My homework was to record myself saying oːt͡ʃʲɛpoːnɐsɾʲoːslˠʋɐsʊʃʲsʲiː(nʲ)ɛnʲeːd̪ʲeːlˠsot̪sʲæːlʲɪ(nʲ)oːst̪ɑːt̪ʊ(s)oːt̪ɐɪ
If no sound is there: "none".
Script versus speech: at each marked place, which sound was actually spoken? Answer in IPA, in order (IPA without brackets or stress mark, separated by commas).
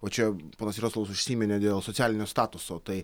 mʲ, nʲ, s